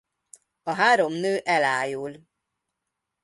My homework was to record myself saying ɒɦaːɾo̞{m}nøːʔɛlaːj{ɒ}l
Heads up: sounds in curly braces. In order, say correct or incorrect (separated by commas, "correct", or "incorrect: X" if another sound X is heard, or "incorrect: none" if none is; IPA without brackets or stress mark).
correct, incorrect: u